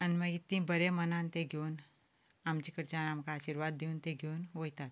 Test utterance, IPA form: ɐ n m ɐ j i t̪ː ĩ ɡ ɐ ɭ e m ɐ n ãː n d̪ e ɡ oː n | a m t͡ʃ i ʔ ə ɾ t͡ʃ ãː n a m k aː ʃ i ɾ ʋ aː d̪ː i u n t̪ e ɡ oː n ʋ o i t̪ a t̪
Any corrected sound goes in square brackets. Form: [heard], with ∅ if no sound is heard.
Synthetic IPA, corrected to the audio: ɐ n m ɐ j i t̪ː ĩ [b] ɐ [ɾ] e m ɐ n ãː n [t̪] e ɡ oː n | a m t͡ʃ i [k] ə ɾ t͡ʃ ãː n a m k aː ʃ i ɾ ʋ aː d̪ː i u n t̪ e ɡ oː n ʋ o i t̪ a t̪